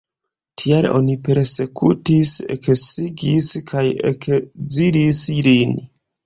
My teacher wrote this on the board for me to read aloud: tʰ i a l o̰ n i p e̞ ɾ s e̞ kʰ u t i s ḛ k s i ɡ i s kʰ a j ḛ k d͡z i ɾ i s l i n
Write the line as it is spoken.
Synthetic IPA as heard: tʰ i a l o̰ n i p e̞ ɾ s e̞ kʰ u t i s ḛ k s i ɡ i s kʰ a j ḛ k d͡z i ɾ i s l i n